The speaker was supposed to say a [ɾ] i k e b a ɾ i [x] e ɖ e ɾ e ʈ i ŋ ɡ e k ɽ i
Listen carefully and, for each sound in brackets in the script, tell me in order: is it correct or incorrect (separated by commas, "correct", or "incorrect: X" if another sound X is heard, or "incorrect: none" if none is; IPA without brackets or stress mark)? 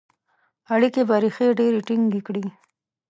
incorrect: ɽ, correct